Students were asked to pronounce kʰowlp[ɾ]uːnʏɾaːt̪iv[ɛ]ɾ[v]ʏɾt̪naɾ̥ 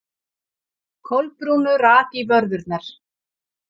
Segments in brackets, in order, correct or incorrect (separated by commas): correct, incorrect, incorrect